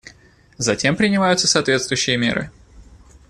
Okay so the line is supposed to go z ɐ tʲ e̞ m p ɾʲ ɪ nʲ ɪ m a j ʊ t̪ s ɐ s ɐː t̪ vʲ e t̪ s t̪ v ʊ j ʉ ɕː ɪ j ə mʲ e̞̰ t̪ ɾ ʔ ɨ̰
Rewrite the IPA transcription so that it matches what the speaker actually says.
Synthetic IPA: z ɐ tʲ e̞ m p ɾʲ ɪ nʲ ɪ m a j ʊ t̪ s ə s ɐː t̪ vʲ e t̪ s t̪ v ʊ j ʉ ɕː ɪ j ə mʲ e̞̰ ɾ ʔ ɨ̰

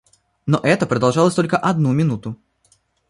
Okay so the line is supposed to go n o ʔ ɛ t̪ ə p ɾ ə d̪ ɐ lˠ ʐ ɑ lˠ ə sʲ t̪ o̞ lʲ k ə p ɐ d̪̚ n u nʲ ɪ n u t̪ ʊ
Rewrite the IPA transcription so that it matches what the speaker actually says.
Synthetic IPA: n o ʔ ɛ t̪ ə p ɾ ə d̪ ɐ lˠ ʐ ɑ lˠ ə sʲ t̪ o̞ lʲ k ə ʔ ɐ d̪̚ n u mʲ ɪ n u t̪ ʊ

